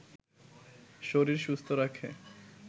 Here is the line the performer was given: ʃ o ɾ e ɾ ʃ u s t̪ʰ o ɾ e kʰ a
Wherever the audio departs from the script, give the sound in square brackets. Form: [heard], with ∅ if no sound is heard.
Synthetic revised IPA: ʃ o ɾ [i] ɾ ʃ u s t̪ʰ o ɾ [a] kʰ [e]